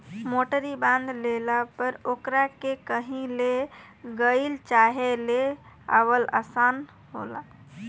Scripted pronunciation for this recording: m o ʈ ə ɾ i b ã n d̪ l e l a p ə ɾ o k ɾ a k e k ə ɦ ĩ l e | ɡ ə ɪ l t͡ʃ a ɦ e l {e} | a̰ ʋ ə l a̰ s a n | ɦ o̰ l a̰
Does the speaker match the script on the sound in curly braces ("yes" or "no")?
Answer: yes